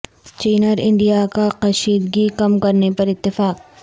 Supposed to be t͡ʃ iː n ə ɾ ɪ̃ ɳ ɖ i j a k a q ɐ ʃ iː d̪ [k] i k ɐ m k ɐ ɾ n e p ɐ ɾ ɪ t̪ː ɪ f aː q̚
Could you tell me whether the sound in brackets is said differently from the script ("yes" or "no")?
yes